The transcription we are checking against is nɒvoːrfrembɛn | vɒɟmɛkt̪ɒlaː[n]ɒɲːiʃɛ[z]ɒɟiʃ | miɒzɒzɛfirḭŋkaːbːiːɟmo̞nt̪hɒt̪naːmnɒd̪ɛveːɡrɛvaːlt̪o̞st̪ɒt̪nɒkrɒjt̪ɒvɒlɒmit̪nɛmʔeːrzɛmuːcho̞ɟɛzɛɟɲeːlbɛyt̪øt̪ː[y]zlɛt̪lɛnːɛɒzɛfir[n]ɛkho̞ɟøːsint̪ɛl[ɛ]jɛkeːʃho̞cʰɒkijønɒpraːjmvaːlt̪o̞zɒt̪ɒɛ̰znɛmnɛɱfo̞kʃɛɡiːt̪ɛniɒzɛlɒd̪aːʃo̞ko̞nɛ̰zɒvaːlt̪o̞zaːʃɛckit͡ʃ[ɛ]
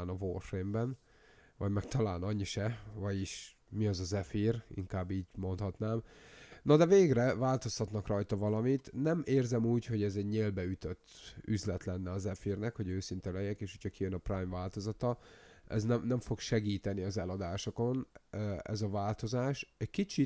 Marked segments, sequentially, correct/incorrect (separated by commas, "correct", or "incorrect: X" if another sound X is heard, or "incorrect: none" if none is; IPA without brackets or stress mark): correct, incorrect: v, correct, correct, correct, incorrect: i